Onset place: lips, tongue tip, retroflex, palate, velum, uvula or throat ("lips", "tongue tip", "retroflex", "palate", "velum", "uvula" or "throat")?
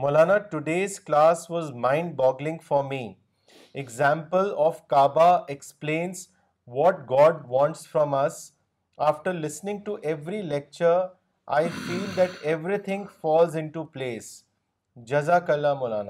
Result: lips